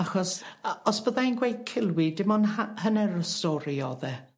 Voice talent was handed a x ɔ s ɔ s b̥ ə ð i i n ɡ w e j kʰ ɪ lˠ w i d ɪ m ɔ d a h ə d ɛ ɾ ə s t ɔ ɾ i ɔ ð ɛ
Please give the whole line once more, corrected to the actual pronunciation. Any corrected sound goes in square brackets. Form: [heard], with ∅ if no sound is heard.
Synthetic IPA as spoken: a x ɔ s ɔ s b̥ ə ð [a] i n ɡ w e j kʰ ɪ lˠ w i d ɪ m ɔ [n] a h ə [n] ɛ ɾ ə s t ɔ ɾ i ɔ ð ɛ